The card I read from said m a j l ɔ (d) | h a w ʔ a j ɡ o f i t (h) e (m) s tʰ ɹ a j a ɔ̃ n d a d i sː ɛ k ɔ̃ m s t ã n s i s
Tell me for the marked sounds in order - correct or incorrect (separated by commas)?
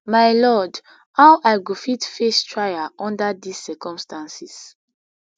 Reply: correct, incorrect, incorrect